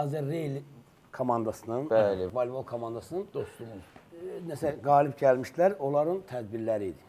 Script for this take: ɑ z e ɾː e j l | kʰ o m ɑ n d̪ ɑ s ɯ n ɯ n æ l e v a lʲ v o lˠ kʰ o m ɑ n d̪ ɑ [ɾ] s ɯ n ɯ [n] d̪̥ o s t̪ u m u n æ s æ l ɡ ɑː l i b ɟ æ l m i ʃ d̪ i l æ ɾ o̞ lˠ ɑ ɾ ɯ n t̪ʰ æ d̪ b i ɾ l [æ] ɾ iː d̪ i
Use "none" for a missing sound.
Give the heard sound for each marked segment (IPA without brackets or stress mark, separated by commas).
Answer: none, n, æ